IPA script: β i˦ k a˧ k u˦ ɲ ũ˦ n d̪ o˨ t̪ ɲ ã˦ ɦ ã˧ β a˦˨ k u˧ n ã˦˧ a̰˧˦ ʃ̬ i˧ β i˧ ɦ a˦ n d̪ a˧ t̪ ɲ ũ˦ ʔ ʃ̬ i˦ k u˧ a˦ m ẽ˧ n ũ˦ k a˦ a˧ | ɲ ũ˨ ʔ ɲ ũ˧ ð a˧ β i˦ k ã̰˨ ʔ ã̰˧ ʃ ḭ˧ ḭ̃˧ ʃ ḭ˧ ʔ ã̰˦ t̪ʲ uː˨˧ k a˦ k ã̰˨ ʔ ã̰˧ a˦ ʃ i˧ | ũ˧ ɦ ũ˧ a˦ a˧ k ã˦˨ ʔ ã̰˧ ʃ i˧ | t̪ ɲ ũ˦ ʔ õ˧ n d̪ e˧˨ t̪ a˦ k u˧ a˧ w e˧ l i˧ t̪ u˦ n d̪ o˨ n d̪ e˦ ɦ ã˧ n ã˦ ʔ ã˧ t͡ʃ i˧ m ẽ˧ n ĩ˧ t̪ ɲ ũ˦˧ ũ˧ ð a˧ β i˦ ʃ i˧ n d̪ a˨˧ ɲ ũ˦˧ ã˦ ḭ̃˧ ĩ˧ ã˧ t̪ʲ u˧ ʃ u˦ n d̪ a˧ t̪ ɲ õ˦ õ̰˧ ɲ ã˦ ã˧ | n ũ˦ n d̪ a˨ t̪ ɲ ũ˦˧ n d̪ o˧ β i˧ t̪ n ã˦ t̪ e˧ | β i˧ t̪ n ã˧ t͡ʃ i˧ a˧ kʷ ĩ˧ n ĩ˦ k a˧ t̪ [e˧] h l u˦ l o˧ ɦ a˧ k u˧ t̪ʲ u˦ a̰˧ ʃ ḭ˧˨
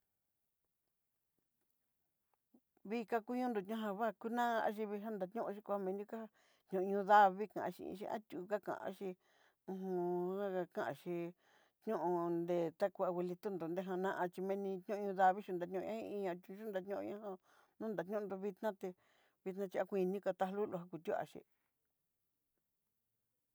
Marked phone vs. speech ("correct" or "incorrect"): incorrect